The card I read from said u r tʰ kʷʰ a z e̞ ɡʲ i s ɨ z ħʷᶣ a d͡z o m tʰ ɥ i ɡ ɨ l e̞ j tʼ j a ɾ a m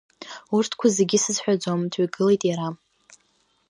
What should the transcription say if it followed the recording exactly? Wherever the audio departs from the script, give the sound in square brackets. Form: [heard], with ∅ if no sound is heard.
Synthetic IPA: u r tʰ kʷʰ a z e̞ ɡʲ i s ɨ z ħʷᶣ a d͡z o m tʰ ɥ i ɡ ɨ l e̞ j tʼ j a ɾ a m